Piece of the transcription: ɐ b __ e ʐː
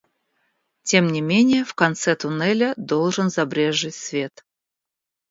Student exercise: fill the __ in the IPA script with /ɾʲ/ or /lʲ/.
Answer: ɾʲ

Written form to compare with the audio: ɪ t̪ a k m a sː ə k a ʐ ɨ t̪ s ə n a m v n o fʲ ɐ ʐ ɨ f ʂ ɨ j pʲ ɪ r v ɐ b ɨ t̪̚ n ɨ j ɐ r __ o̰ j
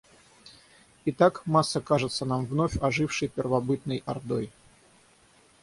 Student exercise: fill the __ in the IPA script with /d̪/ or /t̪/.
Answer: d̪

